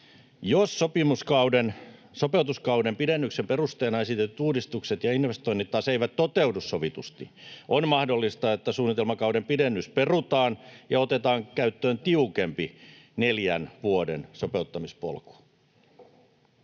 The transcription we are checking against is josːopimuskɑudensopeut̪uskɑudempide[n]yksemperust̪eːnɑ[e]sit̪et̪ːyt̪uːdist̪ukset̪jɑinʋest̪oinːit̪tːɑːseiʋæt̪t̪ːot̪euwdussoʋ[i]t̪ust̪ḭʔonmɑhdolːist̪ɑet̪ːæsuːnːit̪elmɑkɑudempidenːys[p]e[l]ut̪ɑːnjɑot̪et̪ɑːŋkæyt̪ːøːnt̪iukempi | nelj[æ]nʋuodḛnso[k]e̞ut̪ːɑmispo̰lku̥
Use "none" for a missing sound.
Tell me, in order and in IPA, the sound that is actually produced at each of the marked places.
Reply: nː, e, i, p, r, æ, p

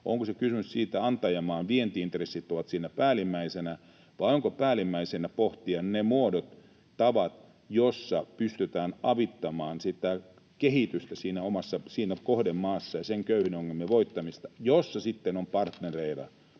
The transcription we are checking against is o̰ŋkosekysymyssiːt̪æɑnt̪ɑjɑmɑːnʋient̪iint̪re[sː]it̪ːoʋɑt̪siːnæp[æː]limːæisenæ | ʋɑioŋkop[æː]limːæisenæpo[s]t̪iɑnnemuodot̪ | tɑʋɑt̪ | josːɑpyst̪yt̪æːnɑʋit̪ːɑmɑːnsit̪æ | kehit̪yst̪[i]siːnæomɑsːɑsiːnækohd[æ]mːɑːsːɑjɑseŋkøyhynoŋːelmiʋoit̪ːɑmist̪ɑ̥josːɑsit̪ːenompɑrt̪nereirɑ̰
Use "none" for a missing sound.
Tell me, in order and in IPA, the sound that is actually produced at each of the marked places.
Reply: sː, æː, æː, h, æ, e

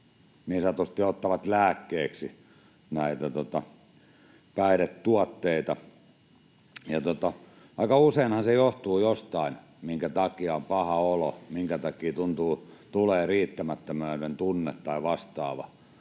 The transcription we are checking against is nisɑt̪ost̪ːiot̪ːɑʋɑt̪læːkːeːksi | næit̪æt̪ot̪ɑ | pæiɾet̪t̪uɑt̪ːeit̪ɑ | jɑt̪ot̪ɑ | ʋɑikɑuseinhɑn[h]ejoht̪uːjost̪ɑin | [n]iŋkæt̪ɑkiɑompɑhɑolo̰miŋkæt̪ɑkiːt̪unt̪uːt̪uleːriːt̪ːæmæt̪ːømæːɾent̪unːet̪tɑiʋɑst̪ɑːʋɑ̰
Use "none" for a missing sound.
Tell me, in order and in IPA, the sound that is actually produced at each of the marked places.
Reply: s, m

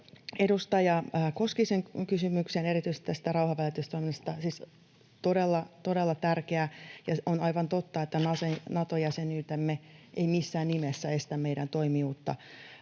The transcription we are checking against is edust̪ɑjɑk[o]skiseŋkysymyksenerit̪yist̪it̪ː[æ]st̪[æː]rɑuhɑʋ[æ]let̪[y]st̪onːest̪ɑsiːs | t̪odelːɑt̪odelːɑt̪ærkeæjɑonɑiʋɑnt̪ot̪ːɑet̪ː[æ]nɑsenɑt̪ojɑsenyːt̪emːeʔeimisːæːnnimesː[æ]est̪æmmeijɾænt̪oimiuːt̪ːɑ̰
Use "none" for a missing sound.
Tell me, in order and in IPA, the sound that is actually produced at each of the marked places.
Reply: o, æ, æ, æ, y, æ, æ

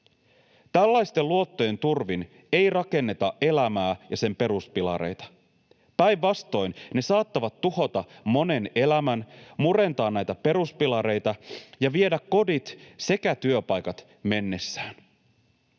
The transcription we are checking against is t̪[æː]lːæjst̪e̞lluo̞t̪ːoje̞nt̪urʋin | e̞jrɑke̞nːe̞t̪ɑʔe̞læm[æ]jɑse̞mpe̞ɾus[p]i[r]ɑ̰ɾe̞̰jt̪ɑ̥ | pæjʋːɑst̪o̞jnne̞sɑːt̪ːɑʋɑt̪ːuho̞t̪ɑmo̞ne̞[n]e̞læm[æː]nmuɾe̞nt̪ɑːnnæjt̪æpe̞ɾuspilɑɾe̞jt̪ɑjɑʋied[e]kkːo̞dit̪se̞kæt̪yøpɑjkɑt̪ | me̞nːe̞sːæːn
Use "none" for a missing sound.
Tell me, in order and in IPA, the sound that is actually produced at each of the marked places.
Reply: æ, æː, p, l, n, æ, æ

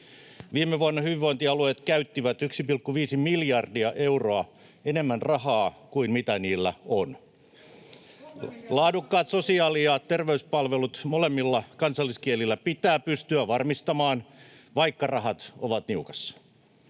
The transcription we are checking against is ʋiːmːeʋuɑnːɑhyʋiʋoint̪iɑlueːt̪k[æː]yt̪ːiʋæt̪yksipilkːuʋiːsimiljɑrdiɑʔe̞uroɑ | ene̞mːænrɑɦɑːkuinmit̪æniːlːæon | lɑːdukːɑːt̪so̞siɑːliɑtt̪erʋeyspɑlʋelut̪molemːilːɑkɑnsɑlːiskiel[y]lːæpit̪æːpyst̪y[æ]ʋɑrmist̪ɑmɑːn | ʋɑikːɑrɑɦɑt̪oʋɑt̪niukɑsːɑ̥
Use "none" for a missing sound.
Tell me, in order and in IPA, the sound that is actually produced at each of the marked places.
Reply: æ, i, æ

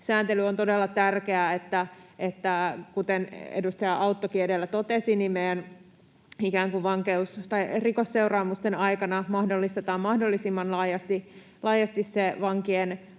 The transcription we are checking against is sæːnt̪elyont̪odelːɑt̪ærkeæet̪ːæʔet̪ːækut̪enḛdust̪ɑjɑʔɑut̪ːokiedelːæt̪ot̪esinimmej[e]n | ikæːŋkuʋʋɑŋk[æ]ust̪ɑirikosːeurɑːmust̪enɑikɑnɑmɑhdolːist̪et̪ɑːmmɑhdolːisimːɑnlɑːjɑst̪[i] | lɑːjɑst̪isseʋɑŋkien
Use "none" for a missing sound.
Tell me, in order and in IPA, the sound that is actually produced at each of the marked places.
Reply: æ, e, i

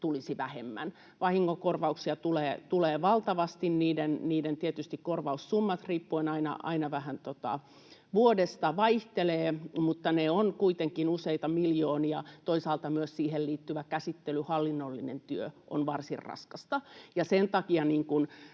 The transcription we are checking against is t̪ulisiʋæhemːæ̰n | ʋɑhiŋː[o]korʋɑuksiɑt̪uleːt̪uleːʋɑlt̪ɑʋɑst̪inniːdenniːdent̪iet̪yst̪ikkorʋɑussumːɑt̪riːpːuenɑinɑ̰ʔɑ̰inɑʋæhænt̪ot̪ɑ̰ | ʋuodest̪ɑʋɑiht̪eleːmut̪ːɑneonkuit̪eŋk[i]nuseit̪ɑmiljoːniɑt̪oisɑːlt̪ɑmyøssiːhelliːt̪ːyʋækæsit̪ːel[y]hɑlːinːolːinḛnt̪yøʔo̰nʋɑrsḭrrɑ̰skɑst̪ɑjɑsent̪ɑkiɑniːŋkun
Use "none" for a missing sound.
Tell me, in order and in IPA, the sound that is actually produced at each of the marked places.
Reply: o, i, y

